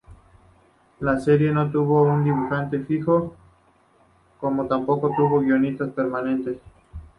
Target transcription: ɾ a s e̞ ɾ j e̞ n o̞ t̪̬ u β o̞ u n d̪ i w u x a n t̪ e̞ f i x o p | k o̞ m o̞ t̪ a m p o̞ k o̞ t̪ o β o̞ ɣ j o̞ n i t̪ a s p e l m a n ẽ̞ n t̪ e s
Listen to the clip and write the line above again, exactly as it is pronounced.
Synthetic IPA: l a s e̞ ɾ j e̞ n o̞ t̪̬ u β o̞ u n d̪ i β u x a n t̪ e̞ f i x o | k o̞ m o̞ t̪ a m p o̞ k o̞ t̪ u β o̞ ɣ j o̞ n i t̪ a s p e ɾ m a n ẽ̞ n t̪ e s

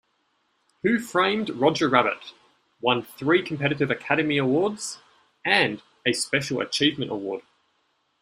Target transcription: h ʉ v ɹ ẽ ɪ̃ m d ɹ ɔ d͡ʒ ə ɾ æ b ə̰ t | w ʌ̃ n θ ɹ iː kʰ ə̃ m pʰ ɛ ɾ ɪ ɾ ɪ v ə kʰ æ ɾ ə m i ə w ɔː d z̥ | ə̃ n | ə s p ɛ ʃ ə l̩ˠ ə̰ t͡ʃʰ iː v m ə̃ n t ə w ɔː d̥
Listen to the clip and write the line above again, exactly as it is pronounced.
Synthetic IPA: h ʉ f ɹ ẽ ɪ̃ m d ɹ ɒ d͡ʒ ə ɹ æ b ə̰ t | w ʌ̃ n θ ɹ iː kʰ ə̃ m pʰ ɛ ɾ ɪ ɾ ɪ v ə kʰ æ ɾ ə m i ə w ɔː d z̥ | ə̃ n | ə s p ɛ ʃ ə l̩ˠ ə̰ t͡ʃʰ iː v m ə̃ n t ə w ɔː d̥

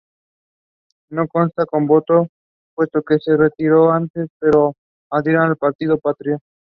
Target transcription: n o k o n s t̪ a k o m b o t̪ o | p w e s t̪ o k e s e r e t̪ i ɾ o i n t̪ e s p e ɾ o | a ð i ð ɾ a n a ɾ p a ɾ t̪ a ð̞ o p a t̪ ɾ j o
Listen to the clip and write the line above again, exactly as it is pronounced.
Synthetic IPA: n o k o n s t̪ a k o m b o t̪ o | p w e s t̪ o k e s e r e t̪ i ɾ o a n t̪ e s p e ɾ o | a ð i ɾ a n a l p a ɾ t̪ i ð̞ o p a t̪ ɾ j o

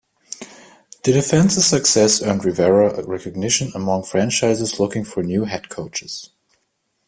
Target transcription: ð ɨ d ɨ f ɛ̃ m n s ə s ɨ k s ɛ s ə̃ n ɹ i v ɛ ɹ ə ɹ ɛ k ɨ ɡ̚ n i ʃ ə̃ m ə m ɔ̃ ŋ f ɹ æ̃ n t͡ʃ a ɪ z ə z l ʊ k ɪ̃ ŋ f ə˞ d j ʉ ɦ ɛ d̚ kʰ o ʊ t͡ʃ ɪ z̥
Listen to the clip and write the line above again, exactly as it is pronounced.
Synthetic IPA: ð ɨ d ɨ f ɛ̃ n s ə s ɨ k s ɛ s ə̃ n ɹ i v ɛ ɹ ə ɹ ɛ k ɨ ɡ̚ n ɪ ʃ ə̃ n ə m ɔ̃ ŋ f ɹ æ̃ n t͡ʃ a ɪ z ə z l ʊ k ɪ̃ ŋ f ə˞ n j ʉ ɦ ɛ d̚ kʰ o ʊ t͡ʃ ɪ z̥

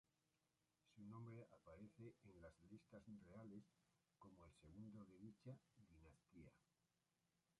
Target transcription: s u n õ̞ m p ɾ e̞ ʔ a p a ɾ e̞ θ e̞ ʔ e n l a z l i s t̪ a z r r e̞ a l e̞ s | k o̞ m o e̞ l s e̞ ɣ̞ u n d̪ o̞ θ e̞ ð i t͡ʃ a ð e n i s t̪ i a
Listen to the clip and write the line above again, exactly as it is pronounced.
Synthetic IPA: s u n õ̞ m b ɾ e̞ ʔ a p a ɾ e̞ θ e̞ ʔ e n l a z l i s t̪ a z r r e̞ a l e̞ s | k o̞ m o e̞ l s e̞ ɣ̞ u n d̪ o̞ ð e̞ ð i t͡ʃ a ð i n a s t̪ i a

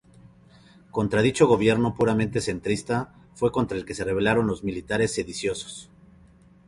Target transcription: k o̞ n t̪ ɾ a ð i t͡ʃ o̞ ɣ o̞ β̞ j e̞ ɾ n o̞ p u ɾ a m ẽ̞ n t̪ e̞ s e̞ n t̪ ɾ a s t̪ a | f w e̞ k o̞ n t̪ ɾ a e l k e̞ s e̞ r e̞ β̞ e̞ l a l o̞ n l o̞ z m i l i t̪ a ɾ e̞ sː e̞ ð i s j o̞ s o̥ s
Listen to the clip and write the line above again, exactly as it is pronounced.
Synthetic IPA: k o̞ n t̪ ɾ a ð i t͡ʃ o̞ ɣ o̞ β̞ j e̞ ɾ n o̞ p u ɾ a m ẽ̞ n t̪ e̞ s e̞ n t̪ ɾ i s t̪ a | f w e̞ k o̞ n t̪ ɾ a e l k e̞ s e̞ r e̞ β̞ e̞ l a ɾ o̞ n l o̞ z m i l i t̪ a ɾ e̞ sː e̞ ð i s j o̞ s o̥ s

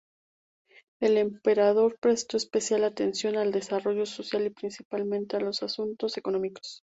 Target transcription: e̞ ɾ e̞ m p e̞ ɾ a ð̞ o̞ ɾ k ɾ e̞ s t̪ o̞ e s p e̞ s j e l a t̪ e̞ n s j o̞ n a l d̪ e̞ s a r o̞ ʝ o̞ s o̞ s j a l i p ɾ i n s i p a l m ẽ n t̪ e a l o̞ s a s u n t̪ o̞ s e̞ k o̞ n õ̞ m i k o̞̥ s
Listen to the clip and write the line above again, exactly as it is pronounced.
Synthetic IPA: e̞ l e̞ m p e̞ ɾ a ð̞ o̞ ɾ p ɾ e̞ s t̪ o̞ e s p e̞ s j a l a t̪ e̞ n s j o̞ n a l d̪ e̞ s a r o̞ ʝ o̞ s o̞ s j a l i p ɾ i n s i p a l m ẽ n t̪ e a l o̞ s a s u n t̪ o̞ s e̞ k o̞ n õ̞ m i k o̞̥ s

